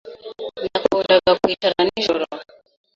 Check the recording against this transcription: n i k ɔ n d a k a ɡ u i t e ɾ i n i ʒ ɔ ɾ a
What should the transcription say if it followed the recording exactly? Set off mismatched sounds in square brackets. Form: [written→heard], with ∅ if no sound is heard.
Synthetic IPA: n [i→a] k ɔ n d a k a [ɡ→k] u i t [e→a] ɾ [i→a] n i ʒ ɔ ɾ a